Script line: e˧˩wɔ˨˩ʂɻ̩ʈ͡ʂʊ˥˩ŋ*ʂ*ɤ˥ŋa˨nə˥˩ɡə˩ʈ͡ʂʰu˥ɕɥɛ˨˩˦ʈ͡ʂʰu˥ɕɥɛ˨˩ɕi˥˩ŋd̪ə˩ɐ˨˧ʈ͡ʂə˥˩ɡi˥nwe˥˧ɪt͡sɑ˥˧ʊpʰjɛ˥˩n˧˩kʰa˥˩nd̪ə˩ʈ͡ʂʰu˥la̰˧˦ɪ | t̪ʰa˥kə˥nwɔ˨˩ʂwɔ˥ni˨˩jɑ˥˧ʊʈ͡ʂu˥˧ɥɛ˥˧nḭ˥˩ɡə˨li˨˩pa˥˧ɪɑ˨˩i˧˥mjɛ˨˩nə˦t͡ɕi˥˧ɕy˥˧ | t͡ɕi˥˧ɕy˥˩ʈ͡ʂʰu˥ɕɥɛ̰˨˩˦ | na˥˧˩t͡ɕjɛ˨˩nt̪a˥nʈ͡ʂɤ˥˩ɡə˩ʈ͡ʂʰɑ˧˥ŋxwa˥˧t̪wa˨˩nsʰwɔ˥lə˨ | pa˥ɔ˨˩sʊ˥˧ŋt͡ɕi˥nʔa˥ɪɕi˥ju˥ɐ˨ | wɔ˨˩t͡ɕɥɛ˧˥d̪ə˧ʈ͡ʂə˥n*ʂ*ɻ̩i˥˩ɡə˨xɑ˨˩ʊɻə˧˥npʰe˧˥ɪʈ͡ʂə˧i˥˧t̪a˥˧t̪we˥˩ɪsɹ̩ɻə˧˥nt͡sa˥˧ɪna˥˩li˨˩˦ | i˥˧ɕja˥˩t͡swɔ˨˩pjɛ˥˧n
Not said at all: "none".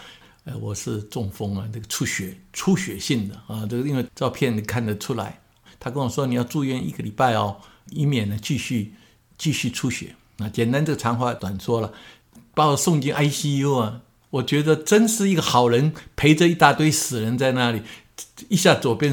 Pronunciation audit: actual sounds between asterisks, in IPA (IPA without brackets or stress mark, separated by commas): f, ʂ